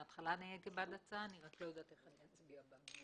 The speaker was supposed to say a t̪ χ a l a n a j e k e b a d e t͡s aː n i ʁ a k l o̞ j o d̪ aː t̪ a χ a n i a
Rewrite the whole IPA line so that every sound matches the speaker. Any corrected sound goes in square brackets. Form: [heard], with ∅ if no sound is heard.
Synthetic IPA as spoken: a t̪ χ a l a n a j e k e b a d [a] t͡s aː n i ʁ a k l o̞ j o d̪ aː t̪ [e] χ a n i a